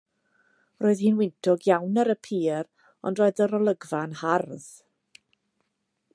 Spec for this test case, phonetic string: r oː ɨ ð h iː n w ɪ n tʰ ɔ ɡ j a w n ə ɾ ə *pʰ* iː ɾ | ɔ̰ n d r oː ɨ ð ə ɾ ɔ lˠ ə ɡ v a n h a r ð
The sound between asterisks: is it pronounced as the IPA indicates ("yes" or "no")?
yes